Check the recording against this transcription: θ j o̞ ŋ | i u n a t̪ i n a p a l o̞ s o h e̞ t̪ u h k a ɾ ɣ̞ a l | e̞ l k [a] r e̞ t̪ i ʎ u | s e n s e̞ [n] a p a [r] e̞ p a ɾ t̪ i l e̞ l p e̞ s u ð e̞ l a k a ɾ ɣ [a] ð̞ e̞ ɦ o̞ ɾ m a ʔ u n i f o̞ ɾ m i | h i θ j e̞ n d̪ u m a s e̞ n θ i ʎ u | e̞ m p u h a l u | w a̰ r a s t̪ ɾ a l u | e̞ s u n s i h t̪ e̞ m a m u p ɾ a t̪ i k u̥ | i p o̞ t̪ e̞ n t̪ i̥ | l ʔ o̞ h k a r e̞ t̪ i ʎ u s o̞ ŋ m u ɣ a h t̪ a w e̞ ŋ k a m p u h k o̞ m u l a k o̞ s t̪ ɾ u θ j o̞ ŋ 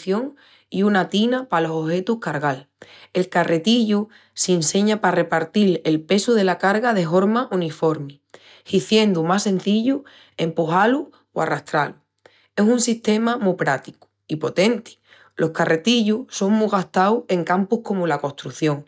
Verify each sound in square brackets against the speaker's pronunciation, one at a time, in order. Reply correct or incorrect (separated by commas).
correct, incorrect, correct, correct